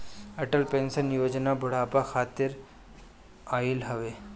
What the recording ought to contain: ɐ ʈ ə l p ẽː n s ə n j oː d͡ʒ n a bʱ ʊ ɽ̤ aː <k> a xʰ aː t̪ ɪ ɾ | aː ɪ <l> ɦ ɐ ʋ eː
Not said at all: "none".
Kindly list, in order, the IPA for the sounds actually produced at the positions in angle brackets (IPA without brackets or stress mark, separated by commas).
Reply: p, l